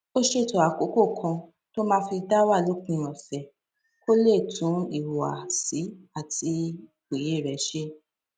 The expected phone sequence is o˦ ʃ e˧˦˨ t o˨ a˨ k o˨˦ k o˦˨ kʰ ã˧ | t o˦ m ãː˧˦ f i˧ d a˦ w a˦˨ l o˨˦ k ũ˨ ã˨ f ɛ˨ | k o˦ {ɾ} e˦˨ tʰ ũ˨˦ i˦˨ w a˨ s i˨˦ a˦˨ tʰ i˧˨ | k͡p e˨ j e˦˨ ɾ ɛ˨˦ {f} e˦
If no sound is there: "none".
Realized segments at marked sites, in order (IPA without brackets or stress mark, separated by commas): l, ʃ